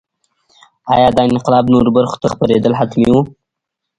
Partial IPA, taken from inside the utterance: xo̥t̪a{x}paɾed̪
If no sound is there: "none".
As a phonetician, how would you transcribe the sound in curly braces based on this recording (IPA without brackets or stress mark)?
x